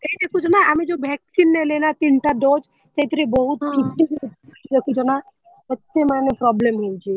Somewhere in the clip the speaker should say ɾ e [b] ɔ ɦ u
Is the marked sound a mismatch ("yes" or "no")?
no